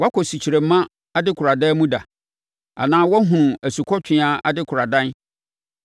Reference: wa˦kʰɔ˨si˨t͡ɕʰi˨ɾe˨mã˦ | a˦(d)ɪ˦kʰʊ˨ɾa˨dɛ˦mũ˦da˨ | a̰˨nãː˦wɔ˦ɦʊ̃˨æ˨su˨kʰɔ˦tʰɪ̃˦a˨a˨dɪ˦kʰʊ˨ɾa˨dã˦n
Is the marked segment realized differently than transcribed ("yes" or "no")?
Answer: no